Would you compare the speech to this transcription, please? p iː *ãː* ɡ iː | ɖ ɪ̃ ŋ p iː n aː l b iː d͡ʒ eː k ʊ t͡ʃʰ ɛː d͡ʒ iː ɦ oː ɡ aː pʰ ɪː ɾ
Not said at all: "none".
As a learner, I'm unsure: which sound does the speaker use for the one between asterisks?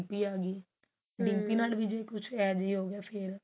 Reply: aː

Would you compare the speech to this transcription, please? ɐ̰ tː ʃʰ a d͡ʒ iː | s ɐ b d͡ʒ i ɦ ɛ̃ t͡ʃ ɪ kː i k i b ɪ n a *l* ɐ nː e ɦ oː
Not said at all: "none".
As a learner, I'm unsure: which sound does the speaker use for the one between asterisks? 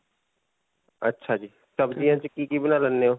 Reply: l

